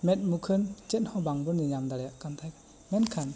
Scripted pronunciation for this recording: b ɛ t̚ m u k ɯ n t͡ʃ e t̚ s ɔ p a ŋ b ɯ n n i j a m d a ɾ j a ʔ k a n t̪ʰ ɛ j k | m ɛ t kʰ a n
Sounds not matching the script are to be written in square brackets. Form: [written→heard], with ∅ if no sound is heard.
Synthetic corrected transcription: [b→m] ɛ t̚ m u [k→kʰ] ɯ n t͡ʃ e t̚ [s→h] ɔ [p→b] a ŋ b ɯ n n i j a m d a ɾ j a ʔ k a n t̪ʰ [ɛ→a] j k | m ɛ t kʰ a n